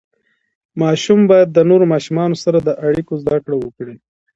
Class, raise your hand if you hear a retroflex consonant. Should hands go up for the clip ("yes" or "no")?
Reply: yes